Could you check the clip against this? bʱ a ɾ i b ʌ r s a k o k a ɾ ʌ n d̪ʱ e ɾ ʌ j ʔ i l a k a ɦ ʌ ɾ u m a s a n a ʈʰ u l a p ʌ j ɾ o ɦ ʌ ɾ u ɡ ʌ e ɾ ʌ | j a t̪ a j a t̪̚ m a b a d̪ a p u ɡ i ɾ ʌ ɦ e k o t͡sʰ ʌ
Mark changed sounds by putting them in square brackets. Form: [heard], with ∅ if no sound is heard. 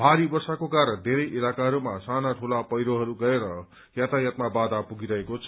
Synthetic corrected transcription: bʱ a ɾ i b ʌ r s a k o k a ɾ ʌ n d̪ʱ e ɾ ʌ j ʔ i l a k a ɦ ʌ ɾ u m a s a n a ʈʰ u l a p ʌ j ɾ o ɦ ʌ ɾ u ɡ ʌ e ɾ ʌ | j a t̪ a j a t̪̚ m a b a d̪ a p u ɡ i ɾ ʌ ɦ e k o t͡sʰ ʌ

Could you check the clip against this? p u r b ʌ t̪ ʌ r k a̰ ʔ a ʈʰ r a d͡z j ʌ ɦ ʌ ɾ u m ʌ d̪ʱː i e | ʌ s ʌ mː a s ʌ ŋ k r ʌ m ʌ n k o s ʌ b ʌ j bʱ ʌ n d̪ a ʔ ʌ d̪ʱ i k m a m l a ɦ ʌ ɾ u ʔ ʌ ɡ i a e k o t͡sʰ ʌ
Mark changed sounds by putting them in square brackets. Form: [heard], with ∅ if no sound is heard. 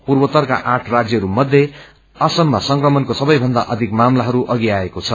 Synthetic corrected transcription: p u r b ʌ t̪ ʌ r k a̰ ʔ a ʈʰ r a d͡z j ʌ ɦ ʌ ɾ u m ʌ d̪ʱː [j] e | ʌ s ʌ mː a s ʌ ŋ k r ʌ m ʌ n k o s ʌ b ʌ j bʱ ʌ n d̪ a ʔ ʌ d̪ʱ i k m a m l a ɦ ʌ ɾ u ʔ ʌ ɡ i a e k o t͡sʰ ʌ

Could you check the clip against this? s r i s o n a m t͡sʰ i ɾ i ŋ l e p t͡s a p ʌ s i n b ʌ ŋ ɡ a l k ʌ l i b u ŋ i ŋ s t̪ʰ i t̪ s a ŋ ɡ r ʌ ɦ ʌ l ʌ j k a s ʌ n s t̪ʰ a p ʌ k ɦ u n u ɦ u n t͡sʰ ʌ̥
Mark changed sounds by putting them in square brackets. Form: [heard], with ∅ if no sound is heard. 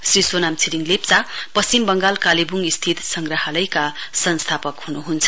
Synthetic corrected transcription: s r i s o n a m t͡sʰ i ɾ i ŋ l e p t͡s a p ʌ s i [m] b ʌ ŋ ɡ a l k [a] l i b u ŋ i [∅] s t̪ʰ i t̪ s [ʌ] ŋ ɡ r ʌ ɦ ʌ l ʌ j k a s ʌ n s t̪ʰ a p ʌ k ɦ u n u ɦ u n t͡sʰ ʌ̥

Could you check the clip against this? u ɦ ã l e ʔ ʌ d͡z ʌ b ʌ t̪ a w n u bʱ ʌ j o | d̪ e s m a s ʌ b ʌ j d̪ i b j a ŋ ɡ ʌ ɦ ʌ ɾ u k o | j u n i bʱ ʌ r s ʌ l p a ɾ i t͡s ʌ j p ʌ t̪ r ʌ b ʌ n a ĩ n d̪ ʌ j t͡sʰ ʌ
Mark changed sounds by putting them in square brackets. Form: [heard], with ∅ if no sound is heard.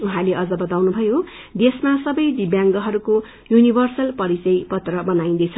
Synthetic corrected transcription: u ɦ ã l e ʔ ʌ d͡z ʌ b ʌ t̪ a w n u bʱ ʌ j o | d̪ e s m a s ʌ b ʌ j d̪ i b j a ŋ ɡ ʌ ɦ ʌ ɾ u k o | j u n i bʱ ʌ r s ʌ l p [ʌ] ɾ i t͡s ʌ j p ʌ t̪ r ʌ b ʌ n a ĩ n d̪ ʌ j t͡sʰ ʌ

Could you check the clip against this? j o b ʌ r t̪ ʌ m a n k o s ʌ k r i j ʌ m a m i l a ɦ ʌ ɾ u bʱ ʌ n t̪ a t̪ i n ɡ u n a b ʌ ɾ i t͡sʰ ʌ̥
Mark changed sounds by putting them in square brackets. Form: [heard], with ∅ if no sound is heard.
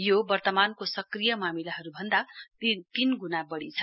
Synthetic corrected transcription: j o b ʌ r t̪ ʌ m a n k o s ʌ k r i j ʌ m a m i l a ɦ ʌ ɾ u bʱ ʌ n [d̪] a t̪ i n ɡ u n a b ʌ [ɽ] i t͡sʰ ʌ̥

